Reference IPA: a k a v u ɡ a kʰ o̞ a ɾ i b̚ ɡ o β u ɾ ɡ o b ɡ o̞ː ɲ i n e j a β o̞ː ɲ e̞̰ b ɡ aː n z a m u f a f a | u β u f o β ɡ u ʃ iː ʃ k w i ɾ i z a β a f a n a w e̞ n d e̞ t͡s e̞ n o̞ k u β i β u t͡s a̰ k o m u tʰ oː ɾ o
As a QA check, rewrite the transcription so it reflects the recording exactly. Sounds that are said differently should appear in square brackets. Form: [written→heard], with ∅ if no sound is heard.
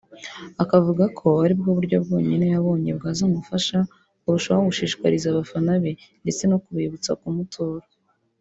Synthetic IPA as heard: a k a v u ɡ a kʰ o̞ a ɾ i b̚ ɡ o β u ɾ [ɡ→ɟ] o b ɡ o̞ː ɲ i n e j a β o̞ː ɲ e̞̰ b ɡ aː [n→∅] z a m u f a [f→ʃ] a | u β u [f→ʃ] o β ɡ u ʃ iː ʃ k w [i→a] ɾ i z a β a f a n a [w→β] e̞ n d e̞ t͡s e̞ n o̞ k u β i β u t͡s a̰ k [o→u] m u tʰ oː ɾ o

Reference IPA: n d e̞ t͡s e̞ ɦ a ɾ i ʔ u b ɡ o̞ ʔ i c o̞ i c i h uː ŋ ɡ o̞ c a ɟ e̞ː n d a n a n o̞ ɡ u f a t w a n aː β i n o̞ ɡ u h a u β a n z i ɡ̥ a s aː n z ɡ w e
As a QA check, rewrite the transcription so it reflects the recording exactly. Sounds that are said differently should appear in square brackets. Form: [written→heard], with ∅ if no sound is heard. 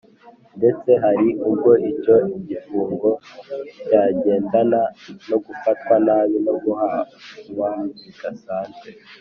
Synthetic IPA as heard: n d e̞ t͡s e̞ ɦ a ɾ i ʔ u b ɡ o̞ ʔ i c o̞ i [c→ɟ] i [h→f] uː ŋ ɡ o̞ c a ɟ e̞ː n d a n a n o̞ ɡ u f a t w a n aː β i n o̞ ɡ u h a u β a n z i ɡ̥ a s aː n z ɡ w e

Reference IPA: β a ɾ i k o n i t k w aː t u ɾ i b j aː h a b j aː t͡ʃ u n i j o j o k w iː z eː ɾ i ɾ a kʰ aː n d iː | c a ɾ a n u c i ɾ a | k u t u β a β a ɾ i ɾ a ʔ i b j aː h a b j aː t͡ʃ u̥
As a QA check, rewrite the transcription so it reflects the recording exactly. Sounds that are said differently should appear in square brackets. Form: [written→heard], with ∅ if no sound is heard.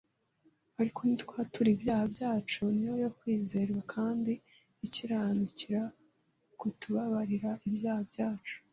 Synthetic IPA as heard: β a ɾ i k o n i t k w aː t u ɾ i b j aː h a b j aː t͡ʃ u n i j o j o k w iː z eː ɾ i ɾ a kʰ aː n d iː | c [a→i] ɾ a n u c i ɾ a | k u t u β a β a ɾ i ɾ a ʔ i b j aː h a b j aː t͡ʃ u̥

